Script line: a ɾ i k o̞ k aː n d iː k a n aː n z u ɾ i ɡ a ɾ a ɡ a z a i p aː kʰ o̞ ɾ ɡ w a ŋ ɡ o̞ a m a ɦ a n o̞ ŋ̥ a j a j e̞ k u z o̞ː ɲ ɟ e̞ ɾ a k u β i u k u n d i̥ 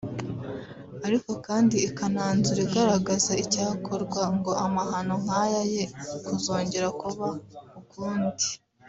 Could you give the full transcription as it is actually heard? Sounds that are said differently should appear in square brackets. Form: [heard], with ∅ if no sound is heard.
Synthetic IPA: a ɾ i k o̞ k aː n d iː k a n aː n z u ɾ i ɡ a ɾ a ɡ a z a i [c] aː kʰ o̞ ɾ ɡ w a ŋ ɡ o̞ a m a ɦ a n o̞ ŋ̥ a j a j e̞ k u z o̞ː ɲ ɟ e̞ ɾ a k u β [a] u k [uː] n d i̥